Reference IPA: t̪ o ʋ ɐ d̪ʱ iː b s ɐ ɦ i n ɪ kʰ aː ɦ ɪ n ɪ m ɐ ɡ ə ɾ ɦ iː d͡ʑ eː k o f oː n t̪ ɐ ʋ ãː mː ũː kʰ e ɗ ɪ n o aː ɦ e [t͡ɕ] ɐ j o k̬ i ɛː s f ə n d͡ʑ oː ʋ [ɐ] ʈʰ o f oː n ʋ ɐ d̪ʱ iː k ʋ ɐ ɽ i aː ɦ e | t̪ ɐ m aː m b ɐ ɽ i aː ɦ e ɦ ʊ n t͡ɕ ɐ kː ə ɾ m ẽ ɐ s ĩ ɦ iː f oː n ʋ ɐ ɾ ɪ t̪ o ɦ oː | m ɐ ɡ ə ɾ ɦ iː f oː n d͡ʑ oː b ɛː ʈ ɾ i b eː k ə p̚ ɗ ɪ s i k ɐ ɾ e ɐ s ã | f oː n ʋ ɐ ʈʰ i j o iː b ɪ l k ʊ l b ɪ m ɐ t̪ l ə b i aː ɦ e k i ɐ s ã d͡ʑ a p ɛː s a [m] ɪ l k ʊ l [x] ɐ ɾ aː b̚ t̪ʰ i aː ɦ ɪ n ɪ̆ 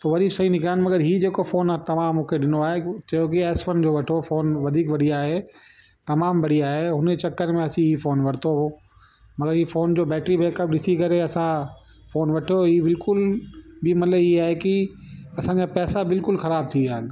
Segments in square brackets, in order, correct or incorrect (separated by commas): correct, correct, incorrect, correct